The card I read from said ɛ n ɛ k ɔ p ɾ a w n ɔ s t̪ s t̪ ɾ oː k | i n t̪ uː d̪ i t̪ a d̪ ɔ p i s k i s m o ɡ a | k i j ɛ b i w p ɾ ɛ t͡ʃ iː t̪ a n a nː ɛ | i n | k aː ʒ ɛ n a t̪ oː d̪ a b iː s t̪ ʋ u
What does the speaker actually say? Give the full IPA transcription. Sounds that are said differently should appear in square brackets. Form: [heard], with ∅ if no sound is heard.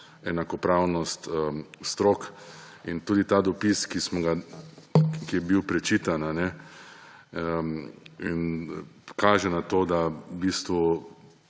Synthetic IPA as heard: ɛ n [a] k ɔ p ɾ a w n ɔ s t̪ s t̪ ɾ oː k | i n t̪ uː d̪ i t̪ a d̪ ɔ p i s k i s m [ɔ] ɡ a | k i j ɛ b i w p ɾ ɛ t͡ʃ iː t̪ a n a [n] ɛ | i n | k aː ʒ ɛ n a t̪ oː d̪ a b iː s t̪ ʋ u

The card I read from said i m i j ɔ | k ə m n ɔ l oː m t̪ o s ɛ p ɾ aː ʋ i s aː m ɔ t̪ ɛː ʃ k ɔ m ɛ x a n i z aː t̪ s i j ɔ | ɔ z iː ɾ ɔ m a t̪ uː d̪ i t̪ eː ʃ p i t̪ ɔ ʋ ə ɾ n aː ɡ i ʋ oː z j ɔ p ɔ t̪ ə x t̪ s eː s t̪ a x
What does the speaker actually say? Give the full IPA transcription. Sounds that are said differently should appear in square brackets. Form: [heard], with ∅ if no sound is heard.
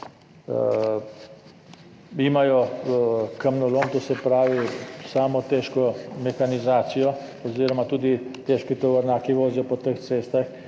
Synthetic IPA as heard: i m [a] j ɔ | k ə m n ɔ l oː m t̪ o s ɛ p ɾ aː ʋ i s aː m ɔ t̪ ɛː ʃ k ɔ m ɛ x a n i z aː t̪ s i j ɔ | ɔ z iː ɾ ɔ m a t̪ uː d̪ i t̪ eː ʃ [k] i t̪ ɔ ʋ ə ɾ n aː [k] i ʋ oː z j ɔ p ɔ t̪ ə x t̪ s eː s t̪ a x

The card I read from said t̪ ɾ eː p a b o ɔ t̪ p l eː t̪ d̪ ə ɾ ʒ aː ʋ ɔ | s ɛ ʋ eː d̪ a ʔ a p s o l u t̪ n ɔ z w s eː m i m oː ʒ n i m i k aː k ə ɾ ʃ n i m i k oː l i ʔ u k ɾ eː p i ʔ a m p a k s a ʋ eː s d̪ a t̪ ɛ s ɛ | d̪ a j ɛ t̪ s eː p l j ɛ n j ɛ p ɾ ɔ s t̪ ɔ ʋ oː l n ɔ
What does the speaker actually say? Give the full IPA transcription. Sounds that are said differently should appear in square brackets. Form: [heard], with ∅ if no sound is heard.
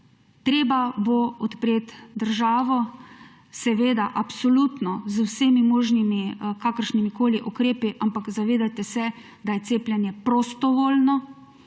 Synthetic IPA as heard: t̪ ɾ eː [b] a b o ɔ t̪ p [ɾ] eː t̪ d̪ ə ɾ ʒ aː ʋ ɔ | s ɛ ʋ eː d̪ a ʔ a p s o l u t̪ n ɔ z w s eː m i m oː ʒ n i m i k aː k ə ɾ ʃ n i m i k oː l i ʔ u k ɾ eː p i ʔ a m p a k [z] a ʋ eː [∅] d̪ a t̪ ɛ s ɛ | d̪ a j ɛ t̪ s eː p l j ɛ n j ɛ p ɾ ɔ s t̪ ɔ ʋ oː l n ɔ

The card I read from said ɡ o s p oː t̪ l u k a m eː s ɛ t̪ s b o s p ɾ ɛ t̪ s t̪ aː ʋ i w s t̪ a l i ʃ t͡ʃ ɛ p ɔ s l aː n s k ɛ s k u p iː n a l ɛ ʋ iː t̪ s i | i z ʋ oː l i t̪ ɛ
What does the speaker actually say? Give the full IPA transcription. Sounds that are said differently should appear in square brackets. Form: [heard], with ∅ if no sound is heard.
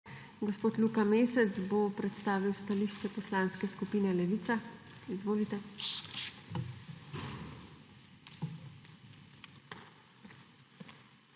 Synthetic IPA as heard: ɡ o s p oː t̪ l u k a m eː s ɛ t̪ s b o [∅] p ɾ ɛ t̪ s t̪ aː ʋ i w s t̪ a l i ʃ t͡ʃ ɛ p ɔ s l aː n s k ɛ s k u p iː n [ɛ] l ɛ ʋ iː t̪ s [a] | i z ʋ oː l i t̪ ɛ

